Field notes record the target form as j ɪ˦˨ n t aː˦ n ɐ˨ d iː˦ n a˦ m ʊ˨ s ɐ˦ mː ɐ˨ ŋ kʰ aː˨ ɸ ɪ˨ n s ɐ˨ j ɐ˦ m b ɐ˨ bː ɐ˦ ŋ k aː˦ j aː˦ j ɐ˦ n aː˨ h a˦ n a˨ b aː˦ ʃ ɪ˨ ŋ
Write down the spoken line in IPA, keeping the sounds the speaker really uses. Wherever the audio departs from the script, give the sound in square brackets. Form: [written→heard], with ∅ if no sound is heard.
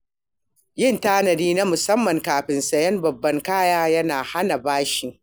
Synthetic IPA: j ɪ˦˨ n t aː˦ n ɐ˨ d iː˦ n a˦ m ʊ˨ s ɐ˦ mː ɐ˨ ŋ [kʰ→k] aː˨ ɸ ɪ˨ n s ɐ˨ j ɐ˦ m b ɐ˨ bː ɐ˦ ŋ k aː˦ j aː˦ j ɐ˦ n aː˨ h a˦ n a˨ b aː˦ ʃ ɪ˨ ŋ